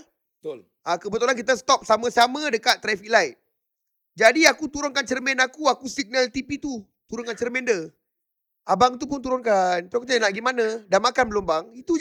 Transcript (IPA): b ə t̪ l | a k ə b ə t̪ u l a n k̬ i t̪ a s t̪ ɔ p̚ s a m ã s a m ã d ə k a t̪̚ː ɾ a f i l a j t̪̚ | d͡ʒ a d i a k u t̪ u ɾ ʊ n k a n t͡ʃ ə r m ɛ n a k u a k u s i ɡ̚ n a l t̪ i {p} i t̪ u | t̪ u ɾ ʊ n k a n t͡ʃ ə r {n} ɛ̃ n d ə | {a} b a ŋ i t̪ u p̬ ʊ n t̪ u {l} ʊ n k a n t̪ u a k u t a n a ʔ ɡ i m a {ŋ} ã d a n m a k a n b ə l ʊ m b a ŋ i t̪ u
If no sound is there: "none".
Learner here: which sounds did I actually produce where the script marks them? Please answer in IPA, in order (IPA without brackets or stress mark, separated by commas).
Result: p, m, a, ɾ, n